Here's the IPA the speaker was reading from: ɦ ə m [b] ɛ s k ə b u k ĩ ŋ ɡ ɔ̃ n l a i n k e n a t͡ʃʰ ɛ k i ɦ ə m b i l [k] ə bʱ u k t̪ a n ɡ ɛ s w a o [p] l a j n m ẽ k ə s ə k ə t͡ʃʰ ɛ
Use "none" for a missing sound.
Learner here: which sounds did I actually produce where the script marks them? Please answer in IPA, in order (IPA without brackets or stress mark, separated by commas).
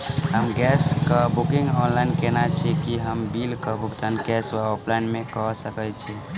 ɡ, k, p